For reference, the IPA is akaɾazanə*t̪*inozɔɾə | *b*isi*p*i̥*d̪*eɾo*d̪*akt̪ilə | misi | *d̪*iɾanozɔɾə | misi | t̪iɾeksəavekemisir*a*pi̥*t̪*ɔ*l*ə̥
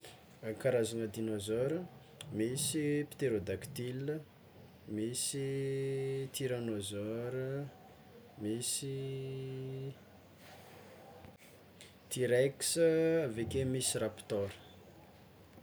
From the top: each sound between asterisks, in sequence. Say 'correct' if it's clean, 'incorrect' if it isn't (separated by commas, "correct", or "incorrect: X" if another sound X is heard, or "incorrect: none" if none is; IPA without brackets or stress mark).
incorrect: d̪, incorrect: m, correct, incorrect: t̪, correct, incorrect: t̪, correct, correct, incorrect: ɾ